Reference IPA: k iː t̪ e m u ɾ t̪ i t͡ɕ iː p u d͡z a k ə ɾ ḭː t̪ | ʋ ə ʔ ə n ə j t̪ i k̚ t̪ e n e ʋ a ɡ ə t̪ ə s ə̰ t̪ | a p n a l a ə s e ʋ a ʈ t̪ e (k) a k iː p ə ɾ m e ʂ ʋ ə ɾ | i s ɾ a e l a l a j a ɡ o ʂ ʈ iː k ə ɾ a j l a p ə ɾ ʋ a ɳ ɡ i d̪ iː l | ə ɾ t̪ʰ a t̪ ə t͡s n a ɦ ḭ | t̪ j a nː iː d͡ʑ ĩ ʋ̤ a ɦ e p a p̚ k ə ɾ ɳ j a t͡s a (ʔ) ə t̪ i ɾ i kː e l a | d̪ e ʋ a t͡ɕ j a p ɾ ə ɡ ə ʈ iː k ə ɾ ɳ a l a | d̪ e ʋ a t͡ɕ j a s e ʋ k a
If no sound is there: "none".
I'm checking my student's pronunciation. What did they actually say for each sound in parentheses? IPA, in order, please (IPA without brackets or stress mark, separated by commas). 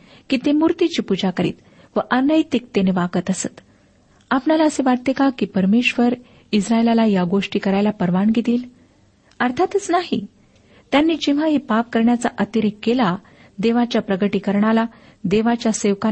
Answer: k, ʔ